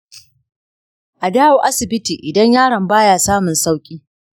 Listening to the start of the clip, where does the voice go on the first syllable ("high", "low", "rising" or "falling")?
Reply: low